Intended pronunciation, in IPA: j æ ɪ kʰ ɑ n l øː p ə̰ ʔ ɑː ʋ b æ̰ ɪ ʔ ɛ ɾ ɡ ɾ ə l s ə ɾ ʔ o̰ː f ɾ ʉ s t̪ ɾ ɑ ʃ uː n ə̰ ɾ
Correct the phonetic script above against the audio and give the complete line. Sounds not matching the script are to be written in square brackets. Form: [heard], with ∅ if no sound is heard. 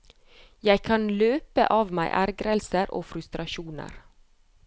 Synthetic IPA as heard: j æ ɪ kʰ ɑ n l øː p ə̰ ʔ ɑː ʋ [m] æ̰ ɪ ʔ [æ] ɾ ɡ ɾ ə l s ə ɾ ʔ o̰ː f ɾ ʉ s t̪ ɾ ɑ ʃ uː n ə̰ ɾ